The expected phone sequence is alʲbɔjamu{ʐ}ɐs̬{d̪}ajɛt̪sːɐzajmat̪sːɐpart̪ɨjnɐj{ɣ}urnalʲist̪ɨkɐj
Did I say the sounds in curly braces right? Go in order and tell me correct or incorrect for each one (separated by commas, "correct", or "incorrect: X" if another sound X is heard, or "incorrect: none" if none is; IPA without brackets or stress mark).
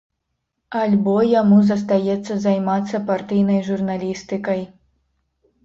incorrect: z, incorrect: t̪, incorrect: ʐ